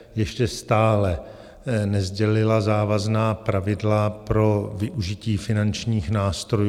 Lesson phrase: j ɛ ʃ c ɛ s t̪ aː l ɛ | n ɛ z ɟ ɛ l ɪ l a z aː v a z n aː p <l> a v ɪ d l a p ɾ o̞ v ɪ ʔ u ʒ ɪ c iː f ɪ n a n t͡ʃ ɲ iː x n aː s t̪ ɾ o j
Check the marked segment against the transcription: incorrect: ɾ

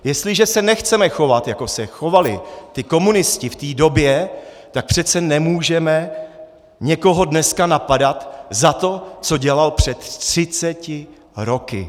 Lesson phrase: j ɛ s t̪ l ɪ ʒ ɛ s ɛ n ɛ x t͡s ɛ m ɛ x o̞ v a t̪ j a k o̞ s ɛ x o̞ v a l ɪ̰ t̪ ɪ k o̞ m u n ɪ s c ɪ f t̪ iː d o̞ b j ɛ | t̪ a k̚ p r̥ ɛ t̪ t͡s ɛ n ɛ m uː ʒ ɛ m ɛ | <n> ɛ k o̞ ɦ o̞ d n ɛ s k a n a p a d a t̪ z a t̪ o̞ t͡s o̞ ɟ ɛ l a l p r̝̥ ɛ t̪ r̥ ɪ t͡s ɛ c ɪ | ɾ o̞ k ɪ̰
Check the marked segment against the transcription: incorrect: ɲ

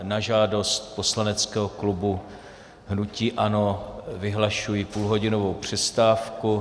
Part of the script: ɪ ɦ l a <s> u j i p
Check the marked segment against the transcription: incorrect: ʃ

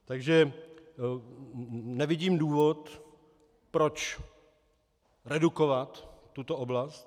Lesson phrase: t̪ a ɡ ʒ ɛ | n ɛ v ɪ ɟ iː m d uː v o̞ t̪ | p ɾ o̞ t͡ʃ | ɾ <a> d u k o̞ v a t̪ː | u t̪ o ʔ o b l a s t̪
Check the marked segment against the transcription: incorrect: ɛ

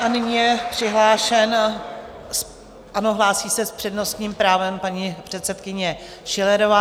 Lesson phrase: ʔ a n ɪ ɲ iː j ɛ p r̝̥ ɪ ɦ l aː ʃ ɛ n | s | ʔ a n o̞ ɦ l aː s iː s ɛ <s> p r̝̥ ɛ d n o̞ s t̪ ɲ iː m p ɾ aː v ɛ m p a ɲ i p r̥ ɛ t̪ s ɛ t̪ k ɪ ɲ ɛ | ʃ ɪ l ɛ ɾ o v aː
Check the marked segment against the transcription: correct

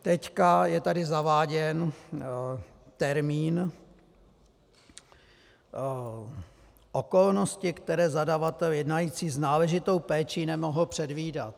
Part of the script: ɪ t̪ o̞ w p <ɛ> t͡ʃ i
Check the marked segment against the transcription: incorrect: ɛː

